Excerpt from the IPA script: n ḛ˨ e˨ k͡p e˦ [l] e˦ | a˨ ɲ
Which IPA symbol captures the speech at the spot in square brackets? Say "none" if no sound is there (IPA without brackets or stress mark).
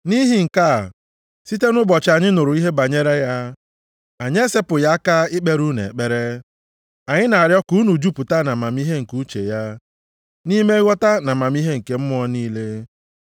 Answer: ɾ